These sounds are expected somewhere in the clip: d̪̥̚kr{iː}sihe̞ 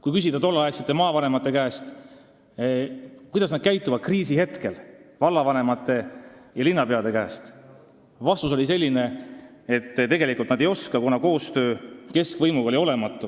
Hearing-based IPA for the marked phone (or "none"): iː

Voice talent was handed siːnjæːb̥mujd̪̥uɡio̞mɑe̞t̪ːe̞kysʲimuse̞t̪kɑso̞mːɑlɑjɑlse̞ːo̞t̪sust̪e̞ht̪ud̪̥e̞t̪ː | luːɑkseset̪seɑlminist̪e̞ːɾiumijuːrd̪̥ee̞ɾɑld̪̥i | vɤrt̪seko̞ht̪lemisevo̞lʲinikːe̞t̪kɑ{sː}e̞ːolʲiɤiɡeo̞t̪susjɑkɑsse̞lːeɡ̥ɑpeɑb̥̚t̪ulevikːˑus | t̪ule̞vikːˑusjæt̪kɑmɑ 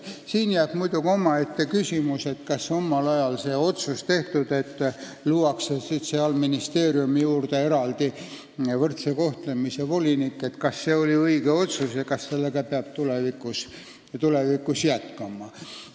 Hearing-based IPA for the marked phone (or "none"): sː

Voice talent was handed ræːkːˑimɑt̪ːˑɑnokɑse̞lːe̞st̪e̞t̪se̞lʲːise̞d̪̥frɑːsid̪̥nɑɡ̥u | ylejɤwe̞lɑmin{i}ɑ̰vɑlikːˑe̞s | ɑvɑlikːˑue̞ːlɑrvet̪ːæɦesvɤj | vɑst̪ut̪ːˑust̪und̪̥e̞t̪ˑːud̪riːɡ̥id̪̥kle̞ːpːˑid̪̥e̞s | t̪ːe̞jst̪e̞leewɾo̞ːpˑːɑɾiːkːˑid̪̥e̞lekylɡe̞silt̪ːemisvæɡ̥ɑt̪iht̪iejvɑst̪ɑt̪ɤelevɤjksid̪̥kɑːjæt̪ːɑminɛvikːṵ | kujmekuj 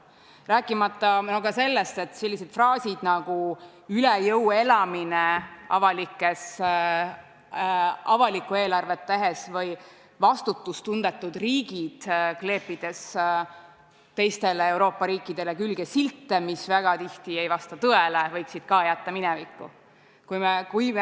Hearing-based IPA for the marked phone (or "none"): e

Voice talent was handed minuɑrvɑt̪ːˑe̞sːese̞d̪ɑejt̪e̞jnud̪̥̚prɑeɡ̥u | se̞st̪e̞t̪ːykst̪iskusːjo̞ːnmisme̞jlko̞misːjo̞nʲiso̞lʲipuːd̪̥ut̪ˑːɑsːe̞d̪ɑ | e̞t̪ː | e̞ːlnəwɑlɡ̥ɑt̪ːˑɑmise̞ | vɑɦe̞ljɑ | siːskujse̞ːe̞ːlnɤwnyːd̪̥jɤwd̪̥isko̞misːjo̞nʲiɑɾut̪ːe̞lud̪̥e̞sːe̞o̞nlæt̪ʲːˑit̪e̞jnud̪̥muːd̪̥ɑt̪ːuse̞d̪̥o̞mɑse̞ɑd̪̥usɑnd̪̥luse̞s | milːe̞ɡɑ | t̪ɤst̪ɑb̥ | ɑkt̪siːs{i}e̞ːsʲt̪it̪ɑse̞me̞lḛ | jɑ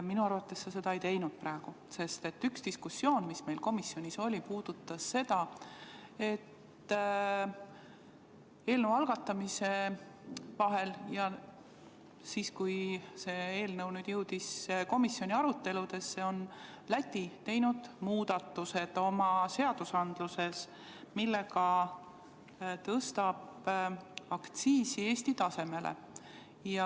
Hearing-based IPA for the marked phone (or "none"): i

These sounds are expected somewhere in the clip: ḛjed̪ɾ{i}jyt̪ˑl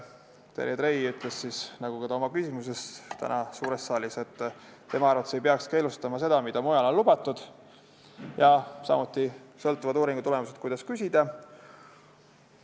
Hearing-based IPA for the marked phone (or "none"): e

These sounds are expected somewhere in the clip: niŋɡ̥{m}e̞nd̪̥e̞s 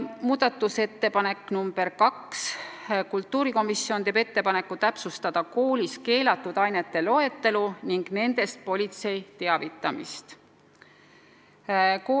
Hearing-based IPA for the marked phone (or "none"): n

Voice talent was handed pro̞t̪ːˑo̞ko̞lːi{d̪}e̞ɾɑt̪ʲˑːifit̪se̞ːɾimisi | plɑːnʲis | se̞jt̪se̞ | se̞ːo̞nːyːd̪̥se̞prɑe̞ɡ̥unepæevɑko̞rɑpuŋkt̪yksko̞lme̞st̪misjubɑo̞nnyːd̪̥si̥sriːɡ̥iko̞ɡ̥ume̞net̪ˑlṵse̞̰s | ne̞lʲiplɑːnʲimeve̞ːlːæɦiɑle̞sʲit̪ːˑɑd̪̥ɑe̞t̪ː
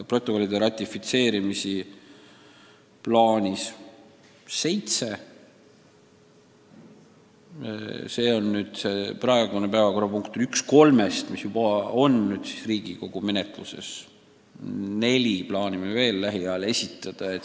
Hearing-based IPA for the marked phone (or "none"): d̪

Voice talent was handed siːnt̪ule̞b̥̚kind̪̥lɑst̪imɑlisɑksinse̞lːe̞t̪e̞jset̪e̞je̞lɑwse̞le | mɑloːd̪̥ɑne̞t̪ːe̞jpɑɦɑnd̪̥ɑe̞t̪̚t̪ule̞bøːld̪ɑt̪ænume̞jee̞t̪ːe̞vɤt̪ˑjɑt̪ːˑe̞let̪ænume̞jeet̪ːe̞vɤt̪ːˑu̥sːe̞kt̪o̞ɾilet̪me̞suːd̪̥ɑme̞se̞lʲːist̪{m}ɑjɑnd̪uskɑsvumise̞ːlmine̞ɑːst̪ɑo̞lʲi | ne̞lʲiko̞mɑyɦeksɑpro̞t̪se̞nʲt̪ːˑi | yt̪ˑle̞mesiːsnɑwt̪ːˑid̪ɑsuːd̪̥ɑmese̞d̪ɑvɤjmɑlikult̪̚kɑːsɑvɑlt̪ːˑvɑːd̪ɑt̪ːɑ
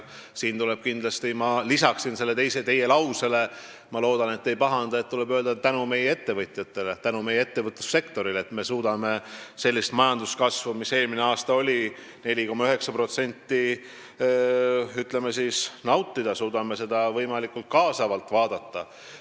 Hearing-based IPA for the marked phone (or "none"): m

